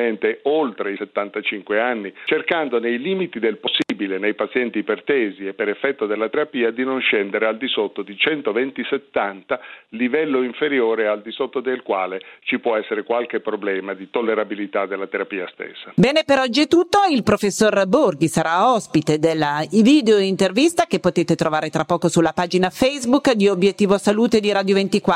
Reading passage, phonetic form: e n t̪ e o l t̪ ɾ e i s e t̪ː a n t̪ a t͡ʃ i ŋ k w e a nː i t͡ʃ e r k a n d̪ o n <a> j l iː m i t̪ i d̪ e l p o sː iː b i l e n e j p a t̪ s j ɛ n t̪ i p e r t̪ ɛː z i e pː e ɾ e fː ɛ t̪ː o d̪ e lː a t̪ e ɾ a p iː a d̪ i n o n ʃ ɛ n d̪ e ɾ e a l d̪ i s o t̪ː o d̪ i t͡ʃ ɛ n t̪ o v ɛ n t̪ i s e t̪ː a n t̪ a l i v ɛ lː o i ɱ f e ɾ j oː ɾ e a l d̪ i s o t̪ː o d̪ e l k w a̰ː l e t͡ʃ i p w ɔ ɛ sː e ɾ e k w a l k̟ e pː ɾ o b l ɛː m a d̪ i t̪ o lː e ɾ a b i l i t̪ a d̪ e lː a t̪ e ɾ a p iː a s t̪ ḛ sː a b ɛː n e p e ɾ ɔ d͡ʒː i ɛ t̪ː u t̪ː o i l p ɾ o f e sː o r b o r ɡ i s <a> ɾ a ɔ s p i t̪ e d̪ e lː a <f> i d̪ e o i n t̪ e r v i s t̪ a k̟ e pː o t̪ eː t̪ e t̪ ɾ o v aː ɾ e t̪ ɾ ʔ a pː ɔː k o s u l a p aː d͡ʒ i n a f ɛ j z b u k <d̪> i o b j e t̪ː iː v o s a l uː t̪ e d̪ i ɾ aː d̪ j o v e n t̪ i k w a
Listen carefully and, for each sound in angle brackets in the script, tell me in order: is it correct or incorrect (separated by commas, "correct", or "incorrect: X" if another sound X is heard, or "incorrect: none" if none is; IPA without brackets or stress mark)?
incorrect: e, correct, incorrect: v, correct